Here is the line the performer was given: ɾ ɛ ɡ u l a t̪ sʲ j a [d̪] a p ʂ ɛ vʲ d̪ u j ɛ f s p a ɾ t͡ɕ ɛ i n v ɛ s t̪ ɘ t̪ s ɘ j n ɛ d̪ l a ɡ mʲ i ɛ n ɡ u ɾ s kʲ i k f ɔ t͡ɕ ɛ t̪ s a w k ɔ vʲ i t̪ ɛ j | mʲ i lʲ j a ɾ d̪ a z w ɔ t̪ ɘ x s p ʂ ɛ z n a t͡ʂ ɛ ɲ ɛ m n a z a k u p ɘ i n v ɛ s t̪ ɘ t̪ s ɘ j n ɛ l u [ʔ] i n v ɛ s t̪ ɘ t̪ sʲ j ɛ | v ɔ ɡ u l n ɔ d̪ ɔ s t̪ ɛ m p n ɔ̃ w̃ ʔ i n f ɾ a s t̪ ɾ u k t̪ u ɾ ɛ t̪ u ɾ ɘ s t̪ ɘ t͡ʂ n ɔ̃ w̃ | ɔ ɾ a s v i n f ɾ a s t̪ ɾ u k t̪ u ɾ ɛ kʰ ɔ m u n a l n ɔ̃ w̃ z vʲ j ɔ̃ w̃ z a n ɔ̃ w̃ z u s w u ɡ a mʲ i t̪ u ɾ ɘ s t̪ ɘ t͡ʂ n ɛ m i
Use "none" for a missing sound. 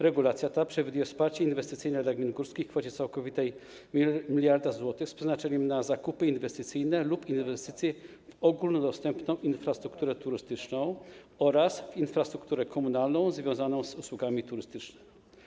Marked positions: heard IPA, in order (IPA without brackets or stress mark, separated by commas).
t̪, p